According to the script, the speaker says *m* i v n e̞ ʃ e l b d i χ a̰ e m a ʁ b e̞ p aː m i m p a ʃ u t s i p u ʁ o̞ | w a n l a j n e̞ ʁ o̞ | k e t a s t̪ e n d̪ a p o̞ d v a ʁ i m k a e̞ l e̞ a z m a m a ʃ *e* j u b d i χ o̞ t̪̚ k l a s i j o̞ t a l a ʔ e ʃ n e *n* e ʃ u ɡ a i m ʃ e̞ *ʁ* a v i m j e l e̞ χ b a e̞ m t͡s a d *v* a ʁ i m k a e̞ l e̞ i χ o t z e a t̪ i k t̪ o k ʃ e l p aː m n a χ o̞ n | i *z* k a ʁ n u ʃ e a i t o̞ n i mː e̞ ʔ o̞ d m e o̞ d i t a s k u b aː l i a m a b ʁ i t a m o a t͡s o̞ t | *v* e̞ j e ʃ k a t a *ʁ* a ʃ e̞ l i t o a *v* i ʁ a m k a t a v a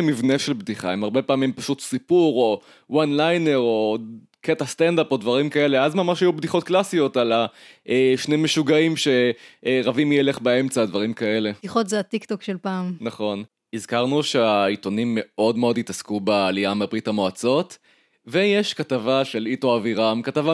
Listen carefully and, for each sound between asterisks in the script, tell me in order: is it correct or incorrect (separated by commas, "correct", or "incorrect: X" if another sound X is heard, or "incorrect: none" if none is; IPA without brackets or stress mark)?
correct, incorrect: a, incorrect: m, correct, correct, correct, correct, incorrect: v, correct